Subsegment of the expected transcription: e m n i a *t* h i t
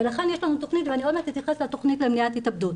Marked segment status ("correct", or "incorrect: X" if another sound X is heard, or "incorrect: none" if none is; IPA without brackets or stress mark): correct